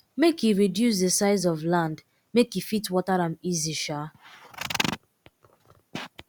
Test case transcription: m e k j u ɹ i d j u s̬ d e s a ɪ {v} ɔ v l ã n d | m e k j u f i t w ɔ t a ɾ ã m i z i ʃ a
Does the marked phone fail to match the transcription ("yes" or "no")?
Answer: yes